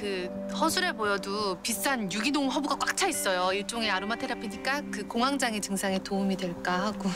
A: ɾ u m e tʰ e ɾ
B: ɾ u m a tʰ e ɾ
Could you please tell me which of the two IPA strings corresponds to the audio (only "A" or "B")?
B